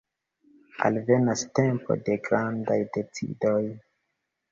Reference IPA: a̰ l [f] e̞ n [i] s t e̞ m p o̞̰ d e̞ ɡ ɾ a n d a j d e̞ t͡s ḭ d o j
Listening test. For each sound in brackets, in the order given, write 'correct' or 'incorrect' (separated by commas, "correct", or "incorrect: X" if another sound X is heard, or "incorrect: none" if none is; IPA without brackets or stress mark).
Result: incorrect: v, incorrect: a